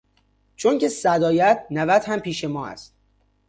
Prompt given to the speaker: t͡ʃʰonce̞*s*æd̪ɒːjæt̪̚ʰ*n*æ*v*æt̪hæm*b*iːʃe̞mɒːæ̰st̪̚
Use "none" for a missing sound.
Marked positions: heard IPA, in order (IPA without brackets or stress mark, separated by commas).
s, n, v, p